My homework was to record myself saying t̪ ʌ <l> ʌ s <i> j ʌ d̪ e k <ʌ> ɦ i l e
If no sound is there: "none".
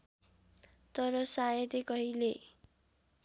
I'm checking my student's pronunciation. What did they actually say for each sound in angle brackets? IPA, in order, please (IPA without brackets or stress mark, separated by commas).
ɾ, a, ʌ